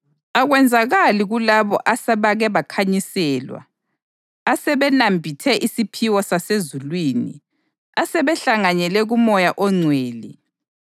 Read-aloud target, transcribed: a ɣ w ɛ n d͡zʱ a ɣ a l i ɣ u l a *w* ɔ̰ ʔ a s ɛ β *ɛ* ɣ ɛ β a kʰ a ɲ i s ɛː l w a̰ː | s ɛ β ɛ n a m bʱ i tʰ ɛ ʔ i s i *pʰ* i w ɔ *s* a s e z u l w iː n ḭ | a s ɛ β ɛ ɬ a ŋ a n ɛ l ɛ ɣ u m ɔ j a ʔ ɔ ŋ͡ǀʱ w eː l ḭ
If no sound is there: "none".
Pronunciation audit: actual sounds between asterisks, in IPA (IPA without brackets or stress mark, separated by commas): β, a, pʰ, s